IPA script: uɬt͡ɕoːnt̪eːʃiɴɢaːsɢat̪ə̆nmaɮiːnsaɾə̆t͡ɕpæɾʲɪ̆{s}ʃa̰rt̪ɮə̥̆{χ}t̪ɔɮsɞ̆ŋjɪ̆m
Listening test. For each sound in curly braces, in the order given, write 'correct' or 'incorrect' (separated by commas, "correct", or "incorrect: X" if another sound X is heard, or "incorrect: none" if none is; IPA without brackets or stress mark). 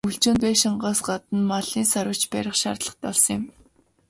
incorrect: χ, correct